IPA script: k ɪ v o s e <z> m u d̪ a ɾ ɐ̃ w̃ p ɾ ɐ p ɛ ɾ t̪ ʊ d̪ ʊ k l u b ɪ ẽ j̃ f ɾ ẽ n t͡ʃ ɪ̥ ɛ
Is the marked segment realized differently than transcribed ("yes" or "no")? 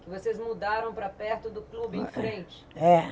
no